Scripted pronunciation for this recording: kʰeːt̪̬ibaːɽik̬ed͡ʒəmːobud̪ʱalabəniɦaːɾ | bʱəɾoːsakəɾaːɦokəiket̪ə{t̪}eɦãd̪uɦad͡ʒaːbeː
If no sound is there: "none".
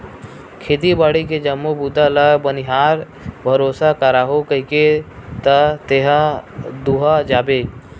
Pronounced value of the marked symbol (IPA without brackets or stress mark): t̪